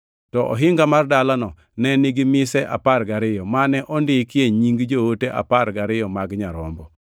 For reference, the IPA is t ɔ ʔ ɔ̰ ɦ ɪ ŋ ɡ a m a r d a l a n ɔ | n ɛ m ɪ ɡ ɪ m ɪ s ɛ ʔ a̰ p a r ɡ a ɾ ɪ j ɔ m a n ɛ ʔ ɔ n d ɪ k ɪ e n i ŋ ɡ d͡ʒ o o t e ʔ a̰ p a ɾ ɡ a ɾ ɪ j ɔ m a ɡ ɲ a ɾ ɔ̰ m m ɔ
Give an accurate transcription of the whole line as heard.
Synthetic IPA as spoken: t ɔ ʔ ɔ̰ ɦ ɪ ŋ ɡ a m a r d a l a n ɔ | n ɛ n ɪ ɡ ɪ m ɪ s ɛ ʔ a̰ p a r ɡ a ɾ ɪ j ɔ m a n ɛ ʔ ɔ n d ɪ k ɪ e ɲ i ŋ ɡ d͡ʒ o o t e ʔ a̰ p a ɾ ɡ a ɾ ɪ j ɔ m a ɡ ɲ a ɾ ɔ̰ m b ɔ